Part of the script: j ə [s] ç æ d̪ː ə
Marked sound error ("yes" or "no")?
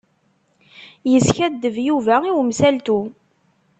no